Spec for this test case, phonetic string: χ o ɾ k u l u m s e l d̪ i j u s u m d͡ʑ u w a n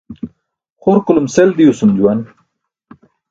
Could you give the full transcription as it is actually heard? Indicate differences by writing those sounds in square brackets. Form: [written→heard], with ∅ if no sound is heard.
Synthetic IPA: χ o ɾ k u l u m s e l d̪ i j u s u m d͡ʑ u w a n